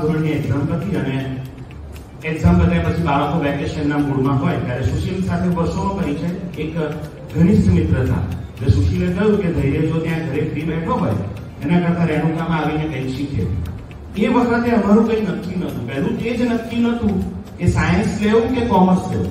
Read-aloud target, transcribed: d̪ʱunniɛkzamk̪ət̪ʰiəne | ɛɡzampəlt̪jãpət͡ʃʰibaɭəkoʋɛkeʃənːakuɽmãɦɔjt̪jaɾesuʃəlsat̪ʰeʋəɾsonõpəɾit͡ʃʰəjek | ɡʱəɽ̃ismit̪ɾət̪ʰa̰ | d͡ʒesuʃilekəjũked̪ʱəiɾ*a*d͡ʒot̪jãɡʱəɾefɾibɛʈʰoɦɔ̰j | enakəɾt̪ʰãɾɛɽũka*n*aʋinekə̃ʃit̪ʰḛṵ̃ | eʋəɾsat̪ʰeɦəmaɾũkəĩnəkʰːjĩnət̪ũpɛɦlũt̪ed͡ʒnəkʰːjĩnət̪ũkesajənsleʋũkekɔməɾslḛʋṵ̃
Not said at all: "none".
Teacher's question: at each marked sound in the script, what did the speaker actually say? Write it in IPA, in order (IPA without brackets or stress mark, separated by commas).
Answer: e, m